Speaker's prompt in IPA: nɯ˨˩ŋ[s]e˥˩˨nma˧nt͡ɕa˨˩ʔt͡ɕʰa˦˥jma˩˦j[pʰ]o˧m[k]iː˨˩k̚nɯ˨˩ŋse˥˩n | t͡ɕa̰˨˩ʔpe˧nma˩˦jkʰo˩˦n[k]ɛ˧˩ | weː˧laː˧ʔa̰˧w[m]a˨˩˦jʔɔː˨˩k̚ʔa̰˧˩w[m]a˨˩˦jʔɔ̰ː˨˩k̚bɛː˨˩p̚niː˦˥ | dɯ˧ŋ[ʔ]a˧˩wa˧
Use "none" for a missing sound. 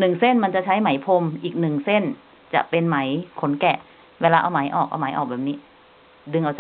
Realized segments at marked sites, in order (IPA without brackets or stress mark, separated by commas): s, pʰ, ʔ, k, m, m, ʔ